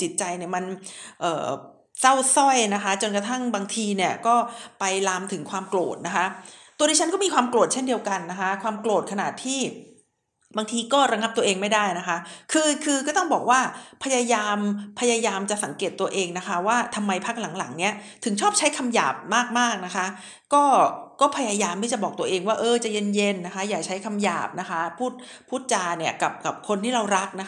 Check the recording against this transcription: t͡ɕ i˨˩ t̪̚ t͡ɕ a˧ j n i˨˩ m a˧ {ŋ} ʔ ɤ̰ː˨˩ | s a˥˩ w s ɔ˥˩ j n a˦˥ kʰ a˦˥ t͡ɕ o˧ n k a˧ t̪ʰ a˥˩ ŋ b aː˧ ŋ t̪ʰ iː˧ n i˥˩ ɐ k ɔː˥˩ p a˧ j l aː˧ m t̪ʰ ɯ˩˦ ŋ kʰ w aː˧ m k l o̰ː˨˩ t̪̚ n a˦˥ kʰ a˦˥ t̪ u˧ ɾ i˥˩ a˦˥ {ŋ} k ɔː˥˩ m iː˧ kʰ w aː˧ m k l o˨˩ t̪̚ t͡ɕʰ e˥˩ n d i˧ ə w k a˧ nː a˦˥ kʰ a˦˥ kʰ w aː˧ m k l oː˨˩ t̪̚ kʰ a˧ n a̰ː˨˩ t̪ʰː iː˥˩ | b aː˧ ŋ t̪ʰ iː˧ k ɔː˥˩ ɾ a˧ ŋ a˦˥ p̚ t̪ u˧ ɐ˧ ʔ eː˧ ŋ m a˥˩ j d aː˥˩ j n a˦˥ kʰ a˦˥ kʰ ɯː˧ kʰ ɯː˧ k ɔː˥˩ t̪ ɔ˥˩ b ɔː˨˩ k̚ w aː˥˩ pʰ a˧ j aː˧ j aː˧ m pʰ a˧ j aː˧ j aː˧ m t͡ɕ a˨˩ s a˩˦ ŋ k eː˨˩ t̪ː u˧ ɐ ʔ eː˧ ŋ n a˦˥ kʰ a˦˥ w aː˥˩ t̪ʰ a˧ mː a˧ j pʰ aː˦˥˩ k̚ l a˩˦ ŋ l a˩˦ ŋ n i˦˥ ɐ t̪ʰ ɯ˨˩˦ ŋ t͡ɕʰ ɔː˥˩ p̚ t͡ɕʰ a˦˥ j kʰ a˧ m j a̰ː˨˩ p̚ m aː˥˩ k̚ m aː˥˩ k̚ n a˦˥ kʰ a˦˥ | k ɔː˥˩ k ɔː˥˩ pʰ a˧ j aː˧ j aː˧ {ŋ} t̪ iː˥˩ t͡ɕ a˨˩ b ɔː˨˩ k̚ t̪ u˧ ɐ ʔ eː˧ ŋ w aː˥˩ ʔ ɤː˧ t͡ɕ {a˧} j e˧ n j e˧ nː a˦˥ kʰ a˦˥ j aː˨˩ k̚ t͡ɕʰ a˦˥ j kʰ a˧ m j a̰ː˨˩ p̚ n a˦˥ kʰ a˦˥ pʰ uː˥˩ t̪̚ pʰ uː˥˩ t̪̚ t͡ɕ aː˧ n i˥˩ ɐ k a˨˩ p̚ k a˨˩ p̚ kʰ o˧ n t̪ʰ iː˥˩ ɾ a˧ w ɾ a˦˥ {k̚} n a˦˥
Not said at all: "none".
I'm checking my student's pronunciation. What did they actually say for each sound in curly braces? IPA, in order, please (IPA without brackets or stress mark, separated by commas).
n, n, m, a˨˩, k̚